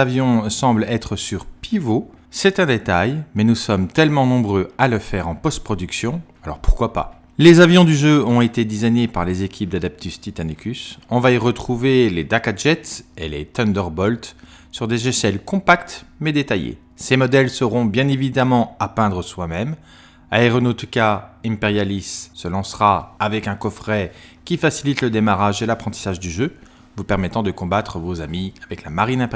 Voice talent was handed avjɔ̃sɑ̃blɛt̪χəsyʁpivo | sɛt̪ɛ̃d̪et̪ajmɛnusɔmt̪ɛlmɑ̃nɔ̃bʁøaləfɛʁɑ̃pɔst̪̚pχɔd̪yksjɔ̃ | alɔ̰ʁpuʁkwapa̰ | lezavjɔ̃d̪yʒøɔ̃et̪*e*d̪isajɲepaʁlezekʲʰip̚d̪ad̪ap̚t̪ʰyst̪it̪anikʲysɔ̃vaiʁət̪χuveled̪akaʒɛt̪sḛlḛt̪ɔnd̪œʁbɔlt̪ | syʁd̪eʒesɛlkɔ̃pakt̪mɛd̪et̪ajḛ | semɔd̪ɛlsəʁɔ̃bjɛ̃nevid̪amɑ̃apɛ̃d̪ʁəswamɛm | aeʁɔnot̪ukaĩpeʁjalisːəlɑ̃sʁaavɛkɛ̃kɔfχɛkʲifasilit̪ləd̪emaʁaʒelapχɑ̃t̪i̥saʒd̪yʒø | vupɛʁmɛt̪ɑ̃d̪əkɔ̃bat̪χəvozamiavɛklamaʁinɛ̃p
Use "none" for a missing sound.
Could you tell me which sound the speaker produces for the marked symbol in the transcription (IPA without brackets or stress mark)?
e